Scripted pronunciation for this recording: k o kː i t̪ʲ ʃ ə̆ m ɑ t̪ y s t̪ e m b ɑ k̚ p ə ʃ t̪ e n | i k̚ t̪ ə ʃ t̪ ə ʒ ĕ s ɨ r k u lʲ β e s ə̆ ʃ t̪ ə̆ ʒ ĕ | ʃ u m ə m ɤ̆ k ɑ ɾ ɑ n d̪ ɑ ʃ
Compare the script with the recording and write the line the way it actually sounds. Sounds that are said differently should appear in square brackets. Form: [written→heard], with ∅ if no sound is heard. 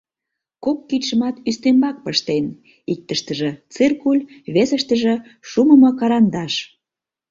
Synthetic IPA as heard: k o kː i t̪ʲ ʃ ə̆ m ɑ t̪ y s t̪ e m b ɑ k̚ p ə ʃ t̪ e n | i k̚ t̪ ə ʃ t̪ ə ʒ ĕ [s→t͡s] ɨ r k u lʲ β e s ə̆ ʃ t̪ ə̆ ʒ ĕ | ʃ u m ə m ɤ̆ k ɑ ɾ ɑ n d̪ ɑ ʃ